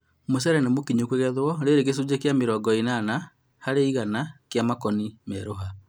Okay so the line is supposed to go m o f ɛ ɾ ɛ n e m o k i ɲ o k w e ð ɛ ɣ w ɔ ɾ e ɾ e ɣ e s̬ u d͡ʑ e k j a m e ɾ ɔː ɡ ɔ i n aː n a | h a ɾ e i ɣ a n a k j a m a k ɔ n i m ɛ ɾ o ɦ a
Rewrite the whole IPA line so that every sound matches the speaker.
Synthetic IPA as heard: m o s ɛ ɾ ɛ n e m o k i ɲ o k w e ɣ ɛ ð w ɔ ɾ e ɾ e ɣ e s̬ u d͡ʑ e k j a m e ɾ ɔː ɡ ɔ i n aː n a | h a ɾ e i ɣ a n a k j a m a k ɔ n i m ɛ ɾ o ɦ a

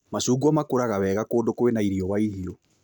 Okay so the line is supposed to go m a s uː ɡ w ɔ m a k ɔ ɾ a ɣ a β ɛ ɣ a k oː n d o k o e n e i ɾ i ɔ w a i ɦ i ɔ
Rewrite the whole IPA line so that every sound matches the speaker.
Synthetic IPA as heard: m a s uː ɡ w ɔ m a k o ɾ a ɣ a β ɛ ɣ a k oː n d o k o e n a i ɾ i ɔ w a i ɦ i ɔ

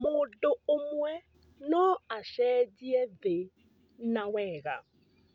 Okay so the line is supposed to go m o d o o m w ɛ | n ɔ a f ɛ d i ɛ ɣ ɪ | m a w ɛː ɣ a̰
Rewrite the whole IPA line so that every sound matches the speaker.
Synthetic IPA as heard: m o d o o m w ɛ | n ɔ a ʃ ɛ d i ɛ ð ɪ | n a w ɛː ɣ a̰

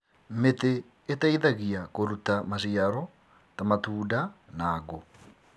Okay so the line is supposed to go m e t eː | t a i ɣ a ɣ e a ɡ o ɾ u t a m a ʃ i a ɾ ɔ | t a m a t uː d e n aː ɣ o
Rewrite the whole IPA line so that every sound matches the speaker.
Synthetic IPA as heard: m e t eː | t a i ð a ɣ i a k o ɾ u t a m a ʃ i a ɾ ɔ | t a m a t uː d a n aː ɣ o

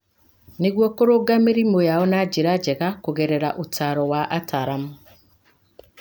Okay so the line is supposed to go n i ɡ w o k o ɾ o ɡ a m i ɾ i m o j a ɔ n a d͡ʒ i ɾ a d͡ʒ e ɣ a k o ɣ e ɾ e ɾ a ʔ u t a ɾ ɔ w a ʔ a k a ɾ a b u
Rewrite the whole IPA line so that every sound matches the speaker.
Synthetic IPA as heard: n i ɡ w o k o ɾ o ɡ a m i ɾ i m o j a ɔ n a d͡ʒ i ɾ a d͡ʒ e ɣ a k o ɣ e ɾ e ɾ a ʔ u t a ɾ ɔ w a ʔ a t a ɾ a m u

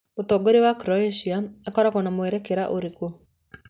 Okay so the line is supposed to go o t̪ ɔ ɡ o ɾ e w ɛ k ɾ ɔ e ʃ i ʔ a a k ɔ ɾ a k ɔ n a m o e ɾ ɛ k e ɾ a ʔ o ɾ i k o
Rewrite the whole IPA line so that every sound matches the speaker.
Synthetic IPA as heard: o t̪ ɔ ɡ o ɾ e w a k ɾ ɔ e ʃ i a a k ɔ ɾ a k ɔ n a m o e ɾ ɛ k e ɾ a ʔ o ɾ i k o

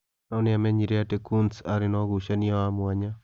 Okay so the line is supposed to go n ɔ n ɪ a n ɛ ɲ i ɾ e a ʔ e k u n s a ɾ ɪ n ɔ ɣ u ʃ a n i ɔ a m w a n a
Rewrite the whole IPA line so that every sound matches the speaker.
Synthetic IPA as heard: n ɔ n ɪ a m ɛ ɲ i ɾ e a t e k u n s a ɾ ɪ n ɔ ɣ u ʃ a n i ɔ a m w a ɲ a

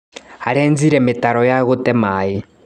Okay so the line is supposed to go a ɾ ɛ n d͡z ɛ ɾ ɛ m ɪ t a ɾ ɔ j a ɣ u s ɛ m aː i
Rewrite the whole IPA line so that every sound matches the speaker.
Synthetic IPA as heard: a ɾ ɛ n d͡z i ɾ ɛ m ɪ t a ɾ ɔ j a ɣ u t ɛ m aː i

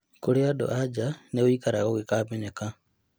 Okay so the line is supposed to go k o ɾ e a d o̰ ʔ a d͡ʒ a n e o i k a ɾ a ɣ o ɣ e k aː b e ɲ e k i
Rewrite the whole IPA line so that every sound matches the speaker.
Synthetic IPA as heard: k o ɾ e a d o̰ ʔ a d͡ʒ a n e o i k a ɾ a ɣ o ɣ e k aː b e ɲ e k a

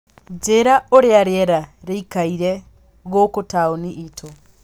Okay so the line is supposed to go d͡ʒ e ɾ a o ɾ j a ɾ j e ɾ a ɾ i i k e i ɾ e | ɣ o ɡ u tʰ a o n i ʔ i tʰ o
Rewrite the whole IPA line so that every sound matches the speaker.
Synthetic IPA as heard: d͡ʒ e ɾ a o ɾ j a ɾ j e ɾ a ɾ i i k a i ɾ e | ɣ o k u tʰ a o n i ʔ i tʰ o

